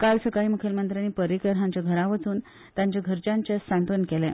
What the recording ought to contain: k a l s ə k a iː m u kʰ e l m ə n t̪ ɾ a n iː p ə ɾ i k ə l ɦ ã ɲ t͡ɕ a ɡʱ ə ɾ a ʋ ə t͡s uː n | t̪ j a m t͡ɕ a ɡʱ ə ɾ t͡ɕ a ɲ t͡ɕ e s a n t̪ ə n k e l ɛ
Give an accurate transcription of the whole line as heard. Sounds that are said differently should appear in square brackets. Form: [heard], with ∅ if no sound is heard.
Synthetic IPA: k a l s ə k a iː m u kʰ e l m ə n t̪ ɾ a n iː p ə ɾ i k ə [ɾ] ɦ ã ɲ t͡ɕ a ɡʱ ə ɾ a ʋ ə t͡s uː n | t̪ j a [ɲ] t͡ɕ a ɡʱ ə ɾ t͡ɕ a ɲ t͡ɕ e s a n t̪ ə n k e l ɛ